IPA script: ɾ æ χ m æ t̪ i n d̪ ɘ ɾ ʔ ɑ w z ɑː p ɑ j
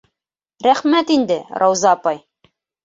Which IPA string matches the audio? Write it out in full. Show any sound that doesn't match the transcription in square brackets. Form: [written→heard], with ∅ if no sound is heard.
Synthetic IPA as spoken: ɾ æ χ m æ t̪ i n d̪ ɘ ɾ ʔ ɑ w z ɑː p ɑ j